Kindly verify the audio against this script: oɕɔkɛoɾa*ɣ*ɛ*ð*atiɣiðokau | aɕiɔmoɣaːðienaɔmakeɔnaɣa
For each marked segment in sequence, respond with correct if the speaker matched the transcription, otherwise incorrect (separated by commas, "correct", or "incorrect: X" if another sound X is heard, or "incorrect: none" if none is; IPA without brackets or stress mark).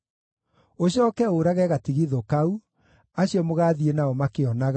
correct, incorrect: ɣ